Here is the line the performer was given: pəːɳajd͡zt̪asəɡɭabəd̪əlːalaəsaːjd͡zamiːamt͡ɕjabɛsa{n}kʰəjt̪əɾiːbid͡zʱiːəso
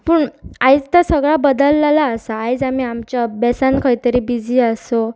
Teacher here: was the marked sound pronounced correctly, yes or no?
yes